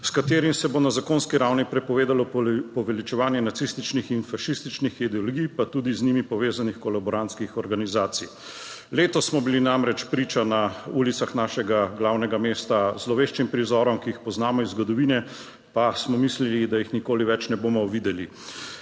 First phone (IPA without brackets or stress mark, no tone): s